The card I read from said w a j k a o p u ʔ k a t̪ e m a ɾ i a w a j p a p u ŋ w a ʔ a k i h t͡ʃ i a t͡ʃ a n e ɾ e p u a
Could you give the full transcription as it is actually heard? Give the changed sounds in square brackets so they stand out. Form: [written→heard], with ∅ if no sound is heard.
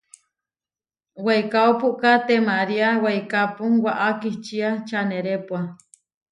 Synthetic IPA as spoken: w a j k a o p u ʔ k a t̪ e m a ɾ i a w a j [p→k] a p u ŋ w a ʔ a k i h t͡ʃ i a t͡ʃ a n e ɾ e p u a